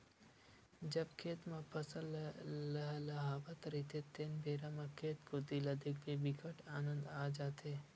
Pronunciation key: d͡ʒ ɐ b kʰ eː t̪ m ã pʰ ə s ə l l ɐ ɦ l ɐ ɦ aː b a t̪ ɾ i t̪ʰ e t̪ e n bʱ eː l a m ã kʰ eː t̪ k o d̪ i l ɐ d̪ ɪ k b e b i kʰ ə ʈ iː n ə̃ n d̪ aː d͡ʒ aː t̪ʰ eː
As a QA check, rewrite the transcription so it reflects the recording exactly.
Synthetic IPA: d͡ʒ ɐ b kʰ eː t̪ m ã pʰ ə s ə l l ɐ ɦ l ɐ ɦ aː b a t̪ ɾ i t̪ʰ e t̪ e n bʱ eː ɾ a m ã kʰ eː t̪ k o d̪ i l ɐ d̪ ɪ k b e b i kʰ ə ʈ aː n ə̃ n d̪ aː d͡ʒ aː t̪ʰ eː